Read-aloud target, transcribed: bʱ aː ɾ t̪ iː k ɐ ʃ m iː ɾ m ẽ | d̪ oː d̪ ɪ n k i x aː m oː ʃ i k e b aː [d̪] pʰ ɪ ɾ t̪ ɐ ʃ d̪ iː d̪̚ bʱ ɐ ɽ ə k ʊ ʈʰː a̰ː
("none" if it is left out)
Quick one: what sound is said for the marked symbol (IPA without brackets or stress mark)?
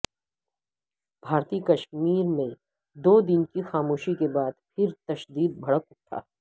d̪